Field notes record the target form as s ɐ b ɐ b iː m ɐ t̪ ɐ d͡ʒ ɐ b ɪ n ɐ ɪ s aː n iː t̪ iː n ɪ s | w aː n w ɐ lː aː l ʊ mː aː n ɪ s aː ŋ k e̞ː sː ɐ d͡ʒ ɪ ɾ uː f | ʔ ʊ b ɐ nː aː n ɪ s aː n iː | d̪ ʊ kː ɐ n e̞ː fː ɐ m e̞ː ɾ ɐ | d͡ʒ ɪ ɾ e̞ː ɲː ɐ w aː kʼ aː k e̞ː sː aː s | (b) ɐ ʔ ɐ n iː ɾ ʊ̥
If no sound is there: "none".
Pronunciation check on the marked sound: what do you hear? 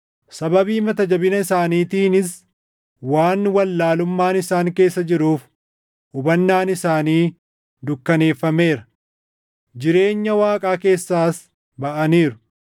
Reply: b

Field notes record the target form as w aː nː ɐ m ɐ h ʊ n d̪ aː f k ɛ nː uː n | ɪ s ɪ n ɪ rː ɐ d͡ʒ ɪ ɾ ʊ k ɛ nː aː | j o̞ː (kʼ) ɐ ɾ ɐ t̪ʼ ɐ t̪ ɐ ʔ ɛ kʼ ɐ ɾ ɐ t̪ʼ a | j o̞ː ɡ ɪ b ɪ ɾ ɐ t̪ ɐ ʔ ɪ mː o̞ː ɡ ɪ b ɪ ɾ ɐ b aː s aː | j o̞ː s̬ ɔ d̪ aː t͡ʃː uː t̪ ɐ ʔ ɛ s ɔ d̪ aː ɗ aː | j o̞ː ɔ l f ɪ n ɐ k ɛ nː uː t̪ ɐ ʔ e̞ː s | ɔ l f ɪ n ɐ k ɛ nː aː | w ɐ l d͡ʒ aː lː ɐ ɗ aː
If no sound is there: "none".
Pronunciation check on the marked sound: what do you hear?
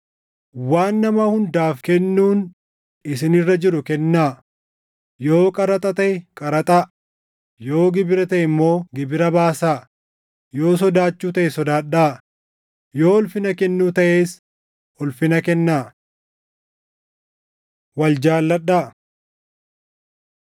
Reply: kʼ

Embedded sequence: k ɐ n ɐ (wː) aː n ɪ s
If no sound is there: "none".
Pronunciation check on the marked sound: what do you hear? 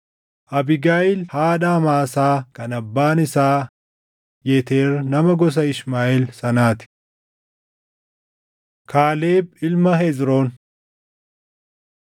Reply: bː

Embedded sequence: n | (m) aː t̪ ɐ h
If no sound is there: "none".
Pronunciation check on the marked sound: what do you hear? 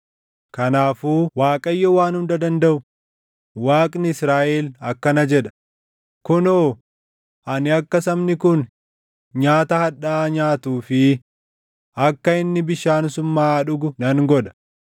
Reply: ɲ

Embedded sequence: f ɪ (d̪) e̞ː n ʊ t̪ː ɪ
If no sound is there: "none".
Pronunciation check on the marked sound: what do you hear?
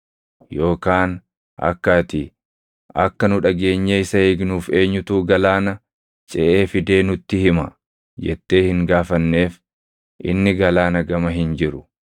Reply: d̪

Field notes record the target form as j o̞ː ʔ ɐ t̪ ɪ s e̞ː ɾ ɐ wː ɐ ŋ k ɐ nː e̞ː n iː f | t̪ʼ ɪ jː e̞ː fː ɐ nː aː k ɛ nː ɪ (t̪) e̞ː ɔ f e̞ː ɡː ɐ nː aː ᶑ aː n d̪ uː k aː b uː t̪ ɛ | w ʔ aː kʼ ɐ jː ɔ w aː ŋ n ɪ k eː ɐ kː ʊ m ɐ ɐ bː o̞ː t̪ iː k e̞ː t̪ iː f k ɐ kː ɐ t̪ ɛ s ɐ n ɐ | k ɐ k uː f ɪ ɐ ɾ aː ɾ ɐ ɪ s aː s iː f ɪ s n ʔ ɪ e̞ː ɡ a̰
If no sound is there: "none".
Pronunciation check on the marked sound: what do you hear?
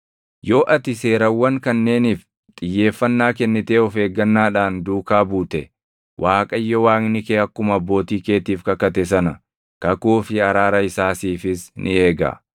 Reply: t̪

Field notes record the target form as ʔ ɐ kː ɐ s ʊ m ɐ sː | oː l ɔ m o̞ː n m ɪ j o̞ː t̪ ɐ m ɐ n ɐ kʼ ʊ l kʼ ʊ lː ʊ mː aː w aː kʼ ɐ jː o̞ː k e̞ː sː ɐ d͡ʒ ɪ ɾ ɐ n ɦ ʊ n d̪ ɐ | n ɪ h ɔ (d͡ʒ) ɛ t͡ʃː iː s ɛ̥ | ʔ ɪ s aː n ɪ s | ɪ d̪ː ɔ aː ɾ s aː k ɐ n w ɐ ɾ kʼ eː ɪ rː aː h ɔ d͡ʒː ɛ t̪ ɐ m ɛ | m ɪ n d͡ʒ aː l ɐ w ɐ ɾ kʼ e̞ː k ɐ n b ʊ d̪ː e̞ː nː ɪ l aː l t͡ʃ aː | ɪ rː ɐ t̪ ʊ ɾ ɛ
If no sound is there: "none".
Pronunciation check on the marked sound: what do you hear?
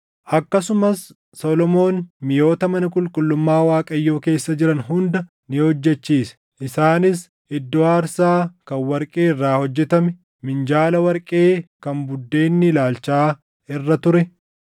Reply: d͡ʒː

